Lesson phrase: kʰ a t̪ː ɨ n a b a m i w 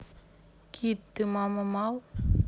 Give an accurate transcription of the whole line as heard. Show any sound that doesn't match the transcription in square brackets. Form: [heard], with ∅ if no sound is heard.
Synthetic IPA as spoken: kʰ [i] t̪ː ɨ [m] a [m] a m [a] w